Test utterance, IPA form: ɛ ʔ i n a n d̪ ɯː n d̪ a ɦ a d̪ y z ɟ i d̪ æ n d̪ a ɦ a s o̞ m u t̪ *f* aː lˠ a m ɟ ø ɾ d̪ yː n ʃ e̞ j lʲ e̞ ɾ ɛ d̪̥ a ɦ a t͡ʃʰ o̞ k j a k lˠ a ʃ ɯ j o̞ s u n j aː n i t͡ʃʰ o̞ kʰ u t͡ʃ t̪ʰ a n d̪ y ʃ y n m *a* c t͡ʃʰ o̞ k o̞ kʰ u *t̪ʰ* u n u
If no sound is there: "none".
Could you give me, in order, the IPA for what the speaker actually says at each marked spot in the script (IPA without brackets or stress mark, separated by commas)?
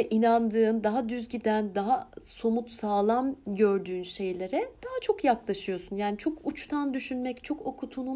s, ɛ, t̪ʰ